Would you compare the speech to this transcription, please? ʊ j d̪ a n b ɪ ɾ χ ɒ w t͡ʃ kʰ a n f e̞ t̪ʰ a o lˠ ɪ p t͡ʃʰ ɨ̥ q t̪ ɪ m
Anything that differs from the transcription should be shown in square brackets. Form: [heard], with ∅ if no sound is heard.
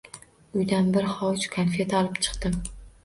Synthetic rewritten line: ʊ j d̪ a n b ɪ ɾ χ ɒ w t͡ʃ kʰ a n f e̞ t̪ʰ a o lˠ ɪ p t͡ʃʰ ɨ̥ q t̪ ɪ m